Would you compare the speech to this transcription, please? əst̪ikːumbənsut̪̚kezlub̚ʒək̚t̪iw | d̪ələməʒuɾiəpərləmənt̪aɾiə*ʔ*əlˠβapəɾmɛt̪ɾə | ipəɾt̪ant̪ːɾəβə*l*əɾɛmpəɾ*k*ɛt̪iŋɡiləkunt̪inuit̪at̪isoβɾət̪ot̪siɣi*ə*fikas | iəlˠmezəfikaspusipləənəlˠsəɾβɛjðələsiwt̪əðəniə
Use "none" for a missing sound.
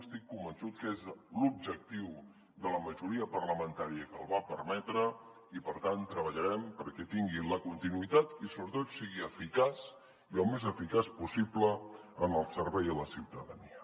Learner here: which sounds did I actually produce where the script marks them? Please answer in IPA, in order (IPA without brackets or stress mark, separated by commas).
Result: k, ʎ, k, ə